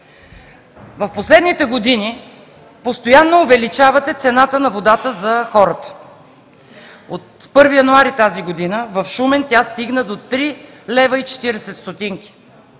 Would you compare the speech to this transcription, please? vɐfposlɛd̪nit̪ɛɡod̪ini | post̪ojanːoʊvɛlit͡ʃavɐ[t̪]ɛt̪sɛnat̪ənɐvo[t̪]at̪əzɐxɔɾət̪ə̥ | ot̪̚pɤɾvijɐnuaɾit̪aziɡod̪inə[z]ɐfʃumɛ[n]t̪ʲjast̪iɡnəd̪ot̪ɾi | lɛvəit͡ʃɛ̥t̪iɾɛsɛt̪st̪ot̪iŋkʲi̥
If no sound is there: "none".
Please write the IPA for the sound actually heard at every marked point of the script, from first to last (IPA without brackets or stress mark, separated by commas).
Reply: t̪, d̪, v, n